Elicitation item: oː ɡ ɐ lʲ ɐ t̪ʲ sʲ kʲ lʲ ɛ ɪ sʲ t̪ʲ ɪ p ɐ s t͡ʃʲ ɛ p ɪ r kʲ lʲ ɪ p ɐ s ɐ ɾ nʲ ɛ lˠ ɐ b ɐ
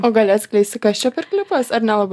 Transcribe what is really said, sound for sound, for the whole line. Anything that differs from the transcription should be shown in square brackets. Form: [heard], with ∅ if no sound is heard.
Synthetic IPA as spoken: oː ɡ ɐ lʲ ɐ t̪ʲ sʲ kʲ lʲ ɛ ɪ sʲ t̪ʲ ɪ [k] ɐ s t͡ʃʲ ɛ p ɪ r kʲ lʲ ɪ p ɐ s ɐ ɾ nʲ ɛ lˠ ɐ b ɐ